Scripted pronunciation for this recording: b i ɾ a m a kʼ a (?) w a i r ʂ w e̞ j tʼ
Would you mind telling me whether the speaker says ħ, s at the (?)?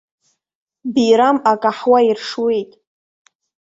ħ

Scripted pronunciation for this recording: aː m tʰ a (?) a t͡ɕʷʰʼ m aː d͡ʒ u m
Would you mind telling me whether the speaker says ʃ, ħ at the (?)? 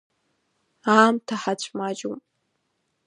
ħ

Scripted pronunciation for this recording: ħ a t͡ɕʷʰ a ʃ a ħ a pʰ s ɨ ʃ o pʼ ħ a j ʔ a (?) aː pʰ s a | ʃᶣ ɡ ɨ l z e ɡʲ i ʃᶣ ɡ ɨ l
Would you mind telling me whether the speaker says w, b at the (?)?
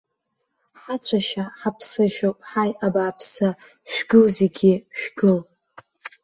b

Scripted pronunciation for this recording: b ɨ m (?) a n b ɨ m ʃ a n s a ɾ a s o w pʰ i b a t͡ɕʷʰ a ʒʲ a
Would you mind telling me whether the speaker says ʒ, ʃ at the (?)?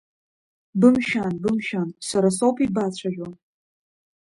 ʃ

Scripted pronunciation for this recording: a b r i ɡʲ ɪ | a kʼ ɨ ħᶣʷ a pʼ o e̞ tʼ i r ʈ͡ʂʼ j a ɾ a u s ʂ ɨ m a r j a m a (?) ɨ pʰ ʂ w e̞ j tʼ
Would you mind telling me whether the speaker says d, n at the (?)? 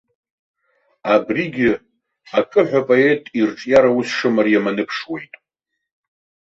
n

